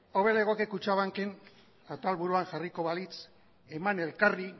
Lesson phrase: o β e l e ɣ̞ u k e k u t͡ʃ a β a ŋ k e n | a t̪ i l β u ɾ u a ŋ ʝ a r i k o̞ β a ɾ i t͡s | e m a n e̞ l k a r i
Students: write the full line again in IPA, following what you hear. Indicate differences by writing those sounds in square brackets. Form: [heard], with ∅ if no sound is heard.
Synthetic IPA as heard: o β e l e ɣ̞ [o] k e k u t͡ʃ a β a ŋ k e n | a t̪ [a] l β u ɾ u a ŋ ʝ a r i k o̞ β a [l] i t͡s | e m a n e̞ l k a r i